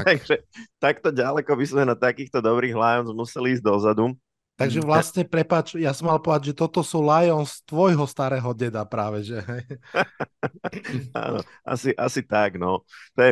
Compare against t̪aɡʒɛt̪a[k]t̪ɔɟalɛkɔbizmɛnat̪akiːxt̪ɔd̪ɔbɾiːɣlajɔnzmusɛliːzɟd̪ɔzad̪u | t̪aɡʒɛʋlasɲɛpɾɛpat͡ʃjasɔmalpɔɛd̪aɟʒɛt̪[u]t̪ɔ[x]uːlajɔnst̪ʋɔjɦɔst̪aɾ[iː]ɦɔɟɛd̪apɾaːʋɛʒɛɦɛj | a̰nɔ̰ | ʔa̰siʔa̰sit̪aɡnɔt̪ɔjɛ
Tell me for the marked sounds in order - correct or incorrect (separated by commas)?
correct, incorrect, incorrect, incorrect